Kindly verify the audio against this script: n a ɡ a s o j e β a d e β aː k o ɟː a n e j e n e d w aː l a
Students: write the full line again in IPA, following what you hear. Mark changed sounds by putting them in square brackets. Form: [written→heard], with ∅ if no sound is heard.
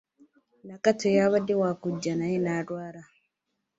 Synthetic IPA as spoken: n a [ɡ→k] a [s→t] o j [e→a] β a d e [β→w] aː k [o→u] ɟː a n [e→a] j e n [e→a] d w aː [l→ɾ] a